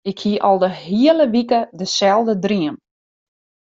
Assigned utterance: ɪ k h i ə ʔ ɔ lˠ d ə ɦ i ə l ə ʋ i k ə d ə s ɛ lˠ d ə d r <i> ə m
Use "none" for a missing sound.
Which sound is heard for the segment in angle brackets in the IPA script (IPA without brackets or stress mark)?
i